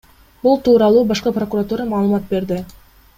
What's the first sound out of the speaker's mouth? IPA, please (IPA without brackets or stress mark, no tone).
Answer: b